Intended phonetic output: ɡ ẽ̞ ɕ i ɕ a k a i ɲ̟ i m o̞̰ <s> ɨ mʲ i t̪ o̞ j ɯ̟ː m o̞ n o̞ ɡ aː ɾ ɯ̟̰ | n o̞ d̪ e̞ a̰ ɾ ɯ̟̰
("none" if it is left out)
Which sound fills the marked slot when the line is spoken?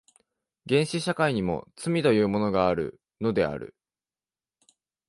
t͡s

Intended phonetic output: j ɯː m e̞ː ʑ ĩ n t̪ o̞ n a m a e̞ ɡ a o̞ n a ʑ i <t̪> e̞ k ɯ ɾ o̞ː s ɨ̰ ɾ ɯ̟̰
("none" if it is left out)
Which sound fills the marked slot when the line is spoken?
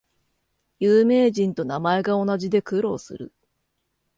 d̪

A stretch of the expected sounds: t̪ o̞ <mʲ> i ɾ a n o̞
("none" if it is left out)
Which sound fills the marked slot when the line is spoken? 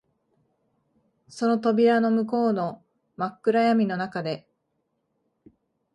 bʲ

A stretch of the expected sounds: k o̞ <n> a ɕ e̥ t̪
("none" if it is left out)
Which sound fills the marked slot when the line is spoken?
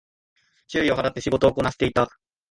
n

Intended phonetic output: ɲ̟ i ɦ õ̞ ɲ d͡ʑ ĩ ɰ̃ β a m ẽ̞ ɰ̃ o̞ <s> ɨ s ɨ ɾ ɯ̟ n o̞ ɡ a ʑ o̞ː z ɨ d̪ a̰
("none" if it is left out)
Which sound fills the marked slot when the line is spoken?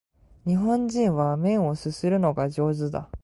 s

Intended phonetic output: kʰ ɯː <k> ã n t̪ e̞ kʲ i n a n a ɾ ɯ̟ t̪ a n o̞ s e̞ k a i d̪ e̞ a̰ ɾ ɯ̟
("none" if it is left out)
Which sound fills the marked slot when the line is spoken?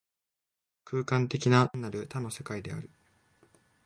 k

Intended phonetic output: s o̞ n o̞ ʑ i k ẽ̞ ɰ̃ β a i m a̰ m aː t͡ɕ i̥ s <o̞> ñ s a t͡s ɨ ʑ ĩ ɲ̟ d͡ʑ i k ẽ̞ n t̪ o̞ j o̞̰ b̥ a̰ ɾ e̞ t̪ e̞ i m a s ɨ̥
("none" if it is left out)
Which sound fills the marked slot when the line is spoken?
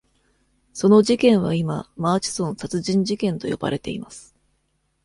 õ̞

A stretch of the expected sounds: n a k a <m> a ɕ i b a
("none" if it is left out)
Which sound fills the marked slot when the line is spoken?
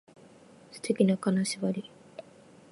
n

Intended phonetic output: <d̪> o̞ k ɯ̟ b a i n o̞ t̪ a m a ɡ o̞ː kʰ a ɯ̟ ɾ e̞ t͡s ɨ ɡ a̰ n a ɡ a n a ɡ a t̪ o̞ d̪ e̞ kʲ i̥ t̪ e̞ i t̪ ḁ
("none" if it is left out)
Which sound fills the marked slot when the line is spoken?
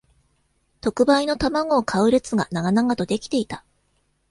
t̪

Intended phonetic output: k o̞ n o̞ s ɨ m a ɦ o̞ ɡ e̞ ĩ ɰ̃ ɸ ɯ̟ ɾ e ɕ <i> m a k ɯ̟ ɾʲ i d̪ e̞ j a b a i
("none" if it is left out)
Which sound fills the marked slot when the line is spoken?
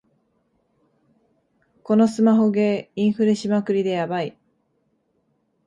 i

